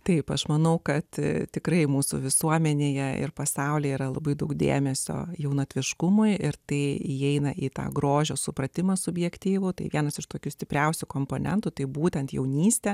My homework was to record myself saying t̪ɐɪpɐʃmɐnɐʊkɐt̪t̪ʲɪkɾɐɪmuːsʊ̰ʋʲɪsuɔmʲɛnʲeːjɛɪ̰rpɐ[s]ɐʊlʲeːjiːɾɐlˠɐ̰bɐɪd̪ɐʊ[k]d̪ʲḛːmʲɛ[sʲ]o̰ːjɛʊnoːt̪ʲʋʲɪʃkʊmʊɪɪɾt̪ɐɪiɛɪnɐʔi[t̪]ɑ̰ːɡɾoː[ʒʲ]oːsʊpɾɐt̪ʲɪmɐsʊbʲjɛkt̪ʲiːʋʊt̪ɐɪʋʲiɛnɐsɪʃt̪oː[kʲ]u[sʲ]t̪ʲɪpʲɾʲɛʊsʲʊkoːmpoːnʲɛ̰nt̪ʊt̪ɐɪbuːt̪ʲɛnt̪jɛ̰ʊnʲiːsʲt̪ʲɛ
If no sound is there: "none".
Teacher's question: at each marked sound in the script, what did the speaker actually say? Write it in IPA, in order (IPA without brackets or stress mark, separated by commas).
s, k, sʲ, t̪, ʒʲ, kʲ, sʲ